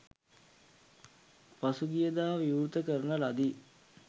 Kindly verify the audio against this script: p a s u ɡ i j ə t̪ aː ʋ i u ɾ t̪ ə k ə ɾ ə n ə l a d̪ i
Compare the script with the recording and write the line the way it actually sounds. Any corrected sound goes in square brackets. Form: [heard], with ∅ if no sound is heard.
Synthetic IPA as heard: p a s u ɡ i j ə [d̪] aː ʋ i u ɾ t̪ ə k ə ɾ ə n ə l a d̪ i